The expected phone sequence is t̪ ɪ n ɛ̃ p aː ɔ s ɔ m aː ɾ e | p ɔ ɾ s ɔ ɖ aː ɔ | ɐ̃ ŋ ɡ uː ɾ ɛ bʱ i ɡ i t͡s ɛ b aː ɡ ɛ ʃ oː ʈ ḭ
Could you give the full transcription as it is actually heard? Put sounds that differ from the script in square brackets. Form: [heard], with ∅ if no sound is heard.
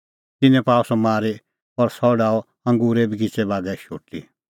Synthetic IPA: t̪ ɪ n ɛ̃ p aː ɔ s ɔ m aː ɾ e | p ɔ ɾ s ɔ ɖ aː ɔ | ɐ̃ ŋ ɡ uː ɾ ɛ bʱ i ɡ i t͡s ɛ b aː ɡ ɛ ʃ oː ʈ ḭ